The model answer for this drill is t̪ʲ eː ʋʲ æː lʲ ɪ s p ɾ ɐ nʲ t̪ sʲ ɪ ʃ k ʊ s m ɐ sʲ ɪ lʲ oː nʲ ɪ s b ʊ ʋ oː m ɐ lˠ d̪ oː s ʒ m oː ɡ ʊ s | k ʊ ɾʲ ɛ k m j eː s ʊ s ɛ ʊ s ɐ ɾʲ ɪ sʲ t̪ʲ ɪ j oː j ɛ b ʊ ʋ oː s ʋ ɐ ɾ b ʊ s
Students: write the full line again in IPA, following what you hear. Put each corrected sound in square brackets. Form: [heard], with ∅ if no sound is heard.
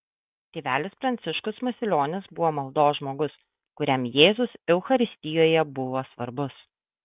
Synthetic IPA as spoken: t̪ʲ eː ʋʲ æː lʲ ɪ s p ɾ ɐ nʲ t̪ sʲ ɪ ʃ k ʊ s m ɐ sʲ ɪ lʲ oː nʲ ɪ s b ʊ ʋ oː m ɐ lˠ d̪ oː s ʒ m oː ɡ ʊ s | k ʊ ɾʲ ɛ [∅] m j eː [z] ʊ s ɛ ʊ [x] ɐ ɾʲ ɪ sʲ t̪ʲ ɪ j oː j ɛ b ʊ ʋ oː s ʋ ɐ ɾ b ʊ s